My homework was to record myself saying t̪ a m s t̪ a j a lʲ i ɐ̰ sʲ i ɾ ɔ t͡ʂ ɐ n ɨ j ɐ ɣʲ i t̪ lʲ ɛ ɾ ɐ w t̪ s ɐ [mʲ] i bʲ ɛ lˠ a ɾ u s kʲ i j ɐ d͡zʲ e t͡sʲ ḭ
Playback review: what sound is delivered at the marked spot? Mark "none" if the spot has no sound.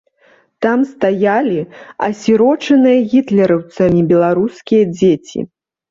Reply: mʲ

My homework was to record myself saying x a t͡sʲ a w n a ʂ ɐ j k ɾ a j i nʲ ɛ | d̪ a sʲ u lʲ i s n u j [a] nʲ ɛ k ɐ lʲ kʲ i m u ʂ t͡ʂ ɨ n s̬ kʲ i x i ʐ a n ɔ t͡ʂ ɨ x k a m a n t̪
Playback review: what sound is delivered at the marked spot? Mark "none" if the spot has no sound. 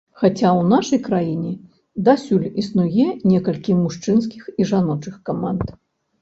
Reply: ɛ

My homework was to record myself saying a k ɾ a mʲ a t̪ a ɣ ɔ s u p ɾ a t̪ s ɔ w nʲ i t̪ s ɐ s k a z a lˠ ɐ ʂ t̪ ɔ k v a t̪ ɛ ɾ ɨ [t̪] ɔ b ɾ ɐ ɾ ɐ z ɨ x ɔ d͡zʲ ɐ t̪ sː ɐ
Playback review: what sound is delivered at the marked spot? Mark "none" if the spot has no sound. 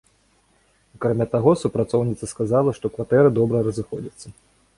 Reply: d̪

